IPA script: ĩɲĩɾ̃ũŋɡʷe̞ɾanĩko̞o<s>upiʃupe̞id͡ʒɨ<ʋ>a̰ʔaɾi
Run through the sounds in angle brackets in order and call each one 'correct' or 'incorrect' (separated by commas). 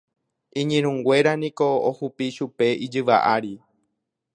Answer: incorrect, correct